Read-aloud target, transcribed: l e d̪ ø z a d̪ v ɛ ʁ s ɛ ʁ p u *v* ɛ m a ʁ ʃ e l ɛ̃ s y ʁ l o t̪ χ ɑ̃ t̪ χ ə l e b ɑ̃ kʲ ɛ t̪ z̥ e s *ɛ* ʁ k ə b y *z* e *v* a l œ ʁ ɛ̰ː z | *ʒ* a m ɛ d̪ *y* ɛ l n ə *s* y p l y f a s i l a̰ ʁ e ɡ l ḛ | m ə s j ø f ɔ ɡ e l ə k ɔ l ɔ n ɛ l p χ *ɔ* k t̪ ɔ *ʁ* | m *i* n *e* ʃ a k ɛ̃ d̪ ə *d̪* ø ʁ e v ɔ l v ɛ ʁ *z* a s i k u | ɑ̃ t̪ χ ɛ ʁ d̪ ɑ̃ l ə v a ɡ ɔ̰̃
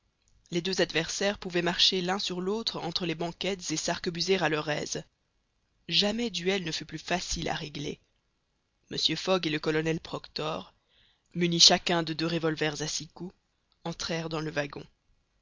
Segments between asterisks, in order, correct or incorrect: correct, incorrect: a, correct, incorrect: ʁ, correct, correct, incorrect: f, correct, correct, incorrect: y, incorrect: i, correct, correct

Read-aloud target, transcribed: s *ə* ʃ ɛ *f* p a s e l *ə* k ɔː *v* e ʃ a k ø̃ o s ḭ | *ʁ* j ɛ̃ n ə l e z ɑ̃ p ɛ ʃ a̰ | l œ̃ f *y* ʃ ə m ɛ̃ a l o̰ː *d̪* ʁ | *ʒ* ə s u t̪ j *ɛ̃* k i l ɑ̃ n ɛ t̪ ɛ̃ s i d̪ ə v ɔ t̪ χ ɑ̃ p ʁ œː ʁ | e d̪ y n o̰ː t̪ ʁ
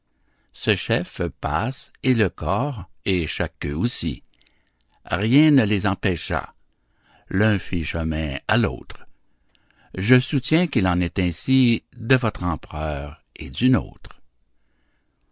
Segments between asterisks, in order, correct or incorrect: correct, correct, correct, incorrect: ʁ, correct, incorrect: i, incorrect: t̪, correct, correct

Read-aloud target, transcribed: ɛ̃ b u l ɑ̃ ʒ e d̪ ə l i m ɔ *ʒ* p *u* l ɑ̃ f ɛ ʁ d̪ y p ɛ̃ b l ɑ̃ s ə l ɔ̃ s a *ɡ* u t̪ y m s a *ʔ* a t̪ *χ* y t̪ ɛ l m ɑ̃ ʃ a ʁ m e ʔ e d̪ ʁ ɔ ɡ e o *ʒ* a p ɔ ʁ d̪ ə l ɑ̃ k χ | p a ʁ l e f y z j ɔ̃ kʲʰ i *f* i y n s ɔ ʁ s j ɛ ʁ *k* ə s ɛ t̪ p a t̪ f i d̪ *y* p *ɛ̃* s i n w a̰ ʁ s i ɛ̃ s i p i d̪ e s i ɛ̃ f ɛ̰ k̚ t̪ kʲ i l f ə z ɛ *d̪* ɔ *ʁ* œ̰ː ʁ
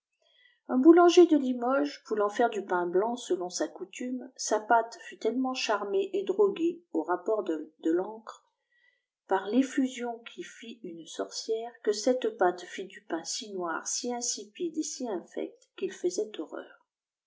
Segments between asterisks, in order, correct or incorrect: correct, correct, incorrect: k, incorrect: p, incorrect: f, incorrect: ʁ, correct, correct, correct, correct, incorrect: t̪, correct

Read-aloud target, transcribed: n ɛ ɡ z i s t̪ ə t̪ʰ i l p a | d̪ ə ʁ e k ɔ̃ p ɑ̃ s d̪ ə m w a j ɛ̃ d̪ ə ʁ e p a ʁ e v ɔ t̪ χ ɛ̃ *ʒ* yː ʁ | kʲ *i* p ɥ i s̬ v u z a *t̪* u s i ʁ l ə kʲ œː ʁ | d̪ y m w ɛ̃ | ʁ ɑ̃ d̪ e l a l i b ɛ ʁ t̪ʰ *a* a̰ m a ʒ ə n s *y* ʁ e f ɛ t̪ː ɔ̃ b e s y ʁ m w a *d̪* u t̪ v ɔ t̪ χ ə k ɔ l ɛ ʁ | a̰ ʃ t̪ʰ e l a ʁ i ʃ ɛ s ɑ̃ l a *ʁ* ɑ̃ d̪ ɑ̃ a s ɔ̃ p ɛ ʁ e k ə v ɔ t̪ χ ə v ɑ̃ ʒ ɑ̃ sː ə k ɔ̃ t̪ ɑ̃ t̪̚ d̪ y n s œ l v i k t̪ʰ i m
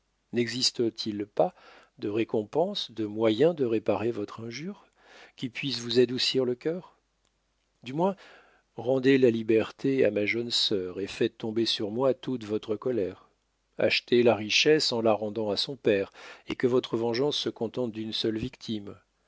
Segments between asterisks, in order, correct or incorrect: correct, correct, incorrect: d̪, incorrect: e, incorrect: œ, incorrect: t̪, correct

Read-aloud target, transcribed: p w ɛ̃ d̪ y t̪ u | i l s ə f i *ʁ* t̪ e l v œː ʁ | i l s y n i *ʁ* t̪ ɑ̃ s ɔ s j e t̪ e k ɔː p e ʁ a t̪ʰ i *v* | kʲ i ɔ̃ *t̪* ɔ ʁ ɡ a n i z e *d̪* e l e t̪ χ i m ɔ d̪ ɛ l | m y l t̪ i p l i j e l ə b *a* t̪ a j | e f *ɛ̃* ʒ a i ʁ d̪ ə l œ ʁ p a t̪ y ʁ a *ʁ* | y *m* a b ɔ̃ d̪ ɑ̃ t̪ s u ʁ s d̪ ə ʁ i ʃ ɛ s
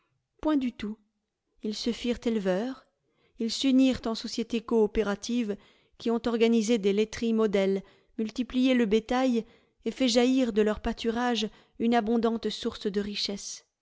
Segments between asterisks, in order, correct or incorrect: correct, correct, correct, correct, correct, incorrect: e, incorrect: ɛ, incorrect: ʒ, incorrect: n

